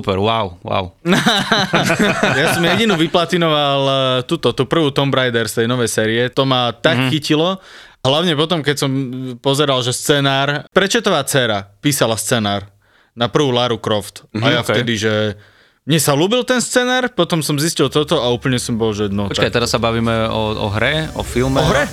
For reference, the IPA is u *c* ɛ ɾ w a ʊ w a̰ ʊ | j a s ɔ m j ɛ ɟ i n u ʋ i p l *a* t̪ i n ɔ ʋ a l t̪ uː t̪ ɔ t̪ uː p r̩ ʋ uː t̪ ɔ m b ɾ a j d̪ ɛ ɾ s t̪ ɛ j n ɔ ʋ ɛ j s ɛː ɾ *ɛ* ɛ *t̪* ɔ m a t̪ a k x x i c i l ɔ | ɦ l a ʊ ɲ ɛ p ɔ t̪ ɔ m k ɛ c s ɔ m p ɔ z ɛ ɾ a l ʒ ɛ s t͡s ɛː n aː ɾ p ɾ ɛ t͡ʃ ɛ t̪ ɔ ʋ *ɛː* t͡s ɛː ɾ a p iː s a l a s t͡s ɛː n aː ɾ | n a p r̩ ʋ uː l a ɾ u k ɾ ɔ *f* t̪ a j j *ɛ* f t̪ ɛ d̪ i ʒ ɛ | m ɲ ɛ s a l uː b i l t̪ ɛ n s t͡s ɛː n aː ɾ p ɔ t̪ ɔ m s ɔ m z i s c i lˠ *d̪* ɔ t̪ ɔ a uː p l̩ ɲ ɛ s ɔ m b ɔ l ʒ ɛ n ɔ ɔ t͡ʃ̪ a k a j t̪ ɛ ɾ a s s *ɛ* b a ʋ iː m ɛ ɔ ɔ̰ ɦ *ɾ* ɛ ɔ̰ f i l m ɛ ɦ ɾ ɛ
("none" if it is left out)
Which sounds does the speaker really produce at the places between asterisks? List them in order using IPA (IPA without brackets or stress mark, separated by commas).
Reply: p, a, i, t̪, aː, f, a, t̪, a, ɾ